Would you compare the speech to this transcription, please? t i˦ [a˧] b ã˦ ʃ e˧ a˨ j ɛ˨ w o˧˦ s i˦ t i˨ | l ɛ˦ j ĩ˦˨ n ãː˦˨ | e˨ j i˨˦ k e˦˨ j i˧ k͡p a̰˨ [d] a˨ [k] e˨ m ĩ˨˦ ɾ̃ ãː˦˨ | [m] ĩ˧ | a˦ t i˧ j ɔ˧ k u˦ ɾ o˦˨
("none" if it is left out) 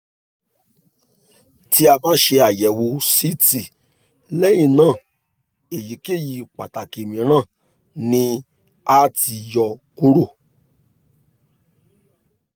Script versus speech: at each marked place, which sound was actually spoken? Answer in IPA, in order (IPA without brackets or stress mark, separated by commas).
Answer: a˧, t, k, n